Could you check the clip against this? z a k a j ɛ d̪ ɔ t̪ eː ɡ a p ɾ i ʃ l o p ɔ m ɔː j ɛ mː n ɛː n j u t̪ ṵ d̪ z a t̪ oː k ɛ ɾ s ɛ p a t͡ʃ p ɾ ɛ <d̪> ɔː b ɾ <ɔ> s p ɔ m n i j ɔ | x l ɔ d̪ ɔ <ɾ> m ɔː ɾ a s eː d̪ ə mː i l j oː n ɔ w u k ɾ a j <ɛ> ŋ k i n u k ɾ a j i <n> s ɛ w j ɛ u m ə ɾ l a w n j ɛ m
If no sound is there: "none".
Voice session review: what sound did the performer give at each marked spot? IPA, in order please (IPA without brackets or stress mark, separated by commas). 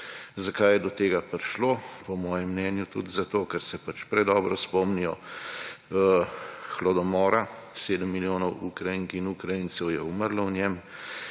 d̪, ɔ, none, i, n